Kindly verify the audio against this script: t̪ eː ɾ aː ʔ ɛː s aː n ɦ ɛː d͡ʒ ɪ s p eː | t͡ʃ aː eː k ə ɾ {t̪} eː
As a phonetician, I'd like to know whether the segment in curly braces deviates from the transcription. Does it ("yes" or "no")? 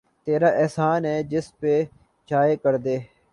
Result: yes